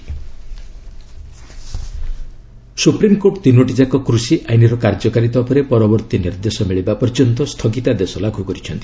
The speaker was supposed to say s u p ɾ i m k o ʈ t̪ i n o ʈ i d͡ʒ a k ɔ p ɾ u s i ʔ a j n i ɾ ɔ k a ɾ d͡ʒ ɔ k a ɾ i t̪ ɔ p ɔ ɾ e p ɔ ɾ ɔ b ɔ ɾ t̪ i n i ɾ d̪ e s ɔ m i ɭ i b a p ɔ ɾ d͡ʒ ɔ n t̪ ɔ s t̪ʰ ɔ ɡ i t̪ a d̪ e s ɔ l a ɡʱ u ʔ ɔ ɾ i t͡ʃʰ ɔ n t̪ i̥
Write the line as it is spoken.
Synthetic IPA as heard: s u p ɾ i m k o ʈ t̪ i n o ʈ i d͡ʒ a k ɔ k ɾ u s i ʔ a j n i ɾ ɔ k a ɾ d͡ʒ ɔ k a ɾ i t̪ ɔ p ɔ ɾ e p ɔ ɾ ɔ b ɔ ɾ t̪ i n i ɾ d̪ e s ɔ m i ɭ i b a p ɔ ɾ d͡ʒ ɔ n t̪ ɔ s t̪ʰ ɔ ɡ i t̪ a d̪ e s ɔ l a ɡʱ u k ɔ ɾ i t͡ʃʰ ɔ n t̪ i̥